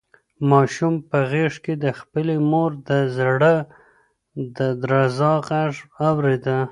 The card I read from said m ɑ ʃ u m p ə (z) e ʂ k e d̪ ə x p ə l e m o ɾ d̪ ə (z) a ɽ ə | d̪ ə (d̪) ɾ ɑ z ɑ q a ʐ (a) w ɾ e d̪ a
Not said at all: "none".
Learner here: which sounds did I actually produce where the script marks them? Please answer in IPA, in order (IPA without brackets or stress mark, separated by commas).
ɣ, z, d̪, a